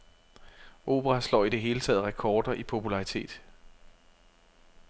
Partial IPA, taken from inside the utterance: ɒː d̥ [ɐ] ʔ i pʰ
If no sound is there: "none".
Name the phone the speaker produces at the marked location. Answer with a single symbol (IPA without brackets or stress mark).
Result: ɐ